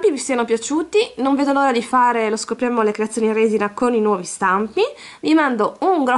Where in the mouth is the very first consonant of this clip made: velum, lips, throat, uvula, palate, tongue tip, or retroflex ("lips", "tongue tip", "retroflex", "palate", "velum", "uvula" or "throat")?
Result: lips